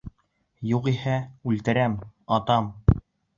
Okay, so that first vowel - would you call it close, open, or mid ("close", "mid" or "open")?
close